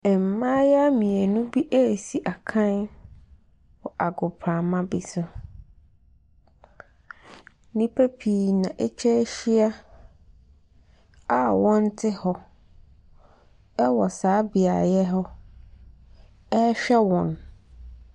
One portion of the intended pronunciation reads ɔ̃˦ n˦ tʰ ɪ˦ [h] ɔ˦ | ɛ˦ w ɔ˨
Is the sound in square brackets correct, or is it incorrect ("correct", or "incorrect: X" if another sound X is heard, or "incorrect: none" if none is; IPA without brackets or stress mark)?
correct